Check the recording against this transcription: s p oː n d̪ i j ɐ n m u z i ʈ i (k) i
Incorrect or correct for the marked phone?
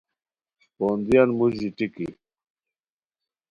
correct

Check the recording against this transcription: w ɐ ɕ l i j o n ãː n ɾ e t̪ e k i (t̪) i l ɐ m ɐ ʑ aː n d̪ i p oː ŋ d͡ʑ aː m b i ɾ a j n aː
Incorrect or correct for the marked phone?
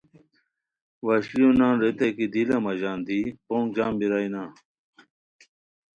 incorrect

